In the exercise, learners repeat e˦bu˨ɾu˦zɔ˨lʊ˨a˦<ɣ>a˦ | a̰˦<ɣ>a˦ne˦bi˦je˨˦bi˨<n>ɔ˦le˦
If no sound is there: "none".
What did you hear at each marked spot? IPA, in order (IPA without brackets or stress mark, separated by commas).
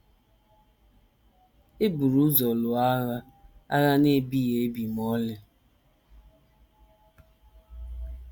ɣ, ɣ, m